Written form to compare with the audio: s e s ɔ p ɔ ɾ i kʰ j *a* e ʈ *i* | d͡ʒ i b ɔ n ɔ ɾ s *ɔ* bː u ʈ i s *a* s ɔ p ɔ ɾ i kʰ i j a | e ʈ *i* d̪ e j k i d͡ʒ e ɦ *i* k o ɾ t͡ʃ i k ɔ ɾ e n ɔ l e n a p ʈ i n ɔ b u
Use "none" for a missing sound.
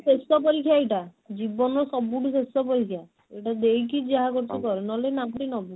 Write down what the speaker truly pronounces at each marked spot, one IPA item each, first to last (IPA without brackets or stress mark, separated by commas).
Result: a, a, ɔ, e, a, a